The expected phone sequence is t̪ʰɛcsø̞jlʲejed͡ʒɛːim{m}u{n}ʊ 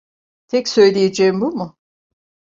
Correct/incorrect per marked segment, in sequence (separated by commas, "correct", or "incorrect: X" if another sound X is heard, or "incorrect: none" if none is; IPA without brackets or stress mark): incorrect: b, incorrect: m